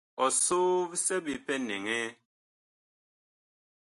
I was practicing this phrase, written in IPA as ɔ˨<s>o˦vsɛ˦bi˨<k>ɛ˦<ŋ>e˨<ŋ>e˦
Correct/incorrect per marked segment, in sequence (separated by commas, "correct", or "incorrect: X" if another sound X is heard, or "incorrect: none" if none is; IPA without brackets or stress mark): correct, incorrect: p, incorrect: n, correct